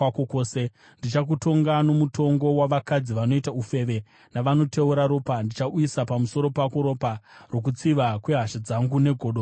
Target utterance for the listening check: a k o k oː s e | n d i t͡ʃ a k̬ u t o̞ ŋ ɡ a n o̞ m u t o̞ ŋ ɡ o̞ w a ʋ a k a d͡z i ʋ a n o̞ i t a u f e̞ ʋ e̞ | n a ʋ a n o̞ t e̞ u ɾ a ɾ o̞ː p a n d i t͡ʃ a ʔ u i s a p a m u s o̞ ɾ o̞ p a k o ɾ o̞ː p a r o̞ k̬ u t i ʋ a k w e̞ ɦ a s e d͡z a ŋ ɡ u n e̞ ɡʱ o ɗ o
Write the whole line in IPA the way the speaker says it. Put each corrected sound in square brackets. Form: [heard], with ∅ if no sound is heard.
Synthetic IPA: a k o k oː s e | n d i t͡ʃ a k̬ u t o̞ ŋ ɡ a n o̞ m u t o̞ ŋ ɡ o̞ w a ʋ a k a d͡z i ʋ a n o̞ i t a u f e̞ ʋ e̞ | n a ʋ a n o̞ t e̞ u ɾ a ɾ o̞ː p a n d i t͡ʃ a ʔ u i s a p a m u s o̞ ɾ o̞ p a k o ɾ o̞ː p a r o̞ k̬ u [t͡s] i ʋ a k w e̞ ɦ a [ʃ] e d͡z a ŋ ɡ u n e̞ ɡʱ o ɗ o

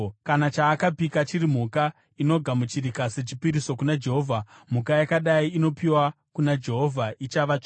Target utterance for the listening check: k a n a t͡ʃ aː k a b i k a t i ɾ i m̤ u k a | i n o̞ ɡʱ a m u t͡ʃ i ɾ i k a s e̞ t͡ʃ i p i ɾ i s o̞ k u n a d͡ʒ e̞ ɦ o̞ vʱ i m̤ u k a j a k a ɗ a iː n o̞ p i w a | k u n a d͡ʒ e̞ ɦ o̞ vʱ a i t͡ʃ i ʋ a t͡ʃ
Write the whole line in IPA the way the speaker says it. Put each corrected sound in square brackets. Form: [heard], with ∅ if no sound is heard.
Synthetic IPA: k a n a t͡ʃ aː k a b i k a [t͡ʃ] i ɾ i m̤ u k a | i n o̞ ɡʱ a m u t͡ʃ i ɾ i k a s e̞ t͡ʃ i p i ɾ i s o̞ k u n a d͡ʒ e̞ ɦ o̞ vʱ [a] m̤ u k a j a k a ɗ a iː n o̞ p i w a | k u n a d͡ʒ e̞ ɦ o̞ vʱ a i t͡ʃ [a] ʋ a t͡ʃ

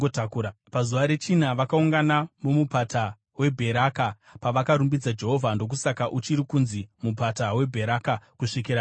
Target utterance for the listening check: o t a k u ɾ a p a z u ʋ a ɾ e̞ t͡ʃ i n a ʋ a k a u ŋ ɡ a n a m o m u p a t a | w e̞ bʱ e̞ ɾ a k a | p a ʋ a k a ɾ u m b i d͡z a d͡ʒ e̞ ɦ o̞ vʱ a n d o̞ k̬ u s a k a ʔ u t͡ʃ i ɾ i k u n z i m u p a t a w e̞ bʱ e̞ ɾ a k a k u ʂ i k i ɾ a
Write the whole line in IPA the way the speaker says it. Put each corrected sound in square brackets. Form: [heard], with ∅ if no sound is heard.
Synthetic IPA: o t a k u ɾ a p a z u ʋ a ɾ e̞ t͡ʃ i n a ʋ a k a u ŋ ɡ a n a m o m u p a t a | w e̞ bʱ e̞ ɾ a k a | p a ʋ a k a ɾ u m b i d͡z a d͡ʒ e̞ ɦ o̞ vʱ a n d o̞ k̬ u s a k a ʔ u t͡ʃ i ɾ i k u n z i m u p a t a w e̞ bʱ e̞ ɾ a k a k u ʂ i k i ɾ a

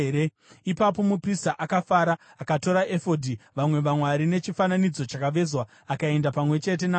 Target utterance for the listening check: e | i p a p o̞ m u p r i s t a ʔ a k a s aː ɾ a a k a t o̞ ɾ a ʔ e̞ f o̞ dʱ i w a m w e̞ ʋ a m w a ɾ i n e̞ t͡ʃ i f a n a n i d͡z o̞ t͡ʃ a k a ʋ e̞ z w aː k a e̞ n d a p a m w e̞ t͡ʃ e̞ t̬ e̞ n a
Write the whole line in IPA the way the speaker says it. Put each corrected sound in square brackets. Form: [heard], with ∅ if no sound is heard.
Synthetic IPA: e | i p a p o̞ m u p r i s t a ʔ a k a [f] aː ɾ a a k a t o̞ ɾ a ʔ e̞ f o̞ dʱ i [ʋ] a m w e̞ ʋ a m w a ɾ i n e̞ t͡ʃ i f a n a n i d͡z o̞ t͡ʃ a k a ʋ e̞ z w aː k a e̞ n d a p a m w e̞ t͡ʃ e̞ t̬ e̞ n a

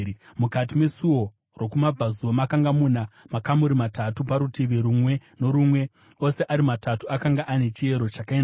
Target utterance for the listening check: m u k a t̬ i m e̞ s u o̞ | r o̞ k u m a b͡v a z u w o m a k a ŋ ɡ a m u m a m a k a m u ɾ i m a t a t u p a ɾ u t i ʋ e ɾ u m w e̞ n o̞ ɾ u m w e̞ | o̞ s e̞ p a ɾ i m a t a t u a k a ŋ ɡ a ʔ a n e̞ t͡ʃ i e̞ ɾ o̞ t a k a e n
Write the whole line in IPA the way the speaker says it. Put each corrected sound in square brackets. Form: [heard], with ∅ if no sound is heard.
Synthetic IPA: m u k a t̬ i m e̞ s u o̞ | r o̞ k u m a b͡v a z u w o m a k a ŋ ɡ a m u [n] a m a k a m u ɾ i m a t a t u p a ɾ u t i ʋ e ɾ u m w e̞ n o̞ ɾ u m w e̞ | o̞ s e̞ [ʔ] a ɾ i m a t a t u a k a ŋ ɡ a ʔ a n e̞ t͡ʃ i e̞ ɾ o̞ [t͡ʃ] a k a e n

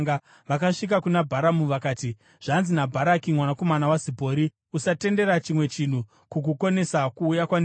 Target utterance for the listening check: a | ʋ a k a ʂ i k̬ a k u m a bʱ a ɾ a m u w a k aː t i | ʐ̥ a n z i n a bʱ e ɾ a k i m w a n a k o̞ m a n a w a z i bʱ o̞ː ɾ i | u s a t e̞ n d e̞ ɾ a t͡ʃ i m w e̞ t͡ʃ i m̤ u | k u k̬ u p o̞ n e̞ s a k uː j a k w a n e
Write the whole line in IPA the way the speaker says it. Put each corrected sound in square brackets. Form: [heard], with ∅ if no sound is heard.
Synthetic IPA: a | ʋ a k a ʂ i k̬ a k u [n] a bʱ a ɾ a m u [ʋ] a k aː t i | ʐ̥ a n z i n a bʱ [a] ɾ a k i m w a n a k o̞ m a n a w a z i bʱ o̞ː ɾ i | u s a t e̞ n d e̞ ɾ a t͡ʃ i m w e̞ t͡ʃ i [n̤] u | k u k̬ u [k] o̞ n e̞ s a k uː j a k w a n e

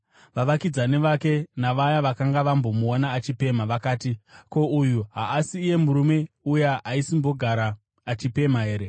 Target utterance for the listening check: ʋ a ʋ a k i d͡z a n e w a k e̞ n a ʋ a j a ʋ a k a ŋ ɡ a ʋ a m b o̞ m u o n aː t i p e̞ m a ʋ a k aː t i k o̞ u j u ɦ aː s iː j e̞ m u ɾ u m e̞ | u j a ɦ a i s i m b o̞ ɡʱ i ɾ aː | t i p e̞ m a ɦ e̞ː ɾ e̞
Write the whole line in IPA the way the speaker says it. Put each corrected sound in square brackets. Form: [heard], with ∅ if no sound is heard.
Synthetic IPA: ʋ a ʋ a k i d͡z a n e [ʋ] a k e̞ n a ʋ a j a ʋ a k a ŋ ɡ a ʋ a m b o̞ m u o n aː [t͡ʃ] i p e̞ m a ʋ a k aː t i k o̞ u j u ɦ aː s iː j e̞ m u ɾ u m e̞ | u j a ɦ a i s i m b o̞ ɡʱ [a] ɾ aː | [t͡ʃ] i p e̞ m a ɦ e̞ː ɾ e̞

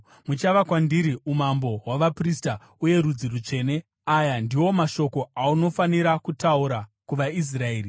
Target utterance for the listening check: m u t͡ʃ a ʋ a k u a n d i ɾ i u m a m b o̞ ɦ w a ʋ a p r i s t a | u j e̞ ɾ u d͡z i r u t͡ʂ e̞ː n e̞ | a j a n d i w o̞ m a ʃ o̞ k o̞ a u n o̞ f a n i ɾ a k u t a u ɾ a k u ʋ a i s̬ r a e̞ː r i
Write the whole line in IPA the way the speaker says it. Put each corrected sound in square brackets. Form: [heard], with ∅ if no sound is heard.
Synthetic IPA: m u t͡ʃ a ʋ a k [w] a n d i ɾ i u m a m b o̞ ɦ w a ʋ a p r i s t a | u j e̞ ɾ u d͡z i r u t͡ʂ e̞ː n e̞ | a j a n d i w o̞ m a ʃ o̞ k o̞ a u n o̞ f a n i ɾ a k u t a u ɾ a k u ʋ a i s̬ r a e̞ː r i

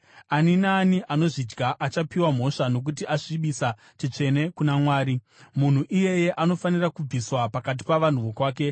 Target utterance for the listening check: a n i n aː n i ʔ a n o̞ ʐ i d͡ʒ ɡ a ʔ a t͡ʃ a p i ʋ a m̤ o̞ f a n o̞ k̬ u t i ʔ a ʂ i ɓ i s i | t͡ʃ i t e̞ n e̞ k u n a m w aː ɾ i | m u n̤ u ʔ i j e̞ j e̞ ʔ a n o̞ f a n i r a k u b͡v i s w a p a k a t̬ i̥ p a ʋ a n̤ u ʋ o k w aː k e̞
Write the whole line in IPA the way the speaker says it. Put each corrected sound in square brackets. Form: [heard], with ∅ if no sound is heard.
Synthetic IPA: a n i n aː n i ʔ a n o̞ ʐ i d͡ʒ ɡ a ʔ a t͡ʃ a p i [w] a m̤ o̞ [ʂ] a n o̞ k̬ u t i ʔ a ʂ i ɓ i s [a] | t͡ʃ i [t͡ʂ] e̞ n e̞ k u n a m w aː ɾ i | m u n̤ u ʔ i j e̞ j e̞ ʔ a n o̞ f a n i r a k u b͡v i s w a p a k a t̬ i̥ p a ʋ a n̤ u ʋ o k w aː k e̞

